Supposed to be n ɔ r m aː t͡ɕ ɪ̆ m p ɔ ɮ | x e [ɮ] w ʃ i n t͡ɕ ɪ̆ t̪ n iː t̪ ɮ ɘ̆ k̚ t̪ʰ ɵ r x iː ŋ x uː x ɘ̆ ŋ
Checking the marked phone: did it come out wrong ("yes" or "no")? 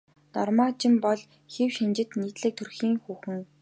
yes